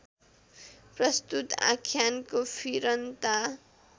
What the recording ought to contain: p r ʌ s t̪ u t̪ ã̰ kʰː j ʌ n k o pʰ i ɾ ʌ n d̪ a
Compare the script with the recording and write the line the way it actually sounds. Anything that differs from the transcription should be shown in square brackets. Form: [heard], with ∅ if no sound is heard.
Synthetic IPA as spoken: p r ʌ s t̪ u t̪ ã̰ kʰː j [a] n k o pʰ i ɾ ʌ n [t̪] a